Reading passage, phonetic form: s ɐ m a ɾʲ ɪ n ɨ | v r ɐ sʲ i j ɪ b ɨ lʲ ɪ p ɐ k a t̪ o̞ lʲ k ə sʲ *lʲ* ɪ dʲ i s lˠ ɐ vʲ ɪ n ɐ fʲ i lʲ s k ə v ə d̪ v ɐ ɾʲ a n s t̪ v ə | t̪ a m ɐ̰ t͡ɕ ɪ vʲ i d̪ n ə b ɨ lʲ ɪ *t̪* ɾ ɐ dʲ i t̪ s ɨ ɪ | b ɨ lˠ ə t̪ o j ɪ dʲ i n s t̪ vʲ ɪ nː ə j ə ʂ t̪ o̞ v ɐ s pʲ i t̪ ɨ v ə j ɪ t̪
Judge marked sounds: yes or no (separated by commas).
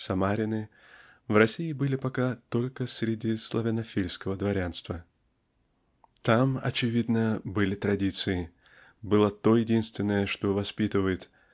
no, yes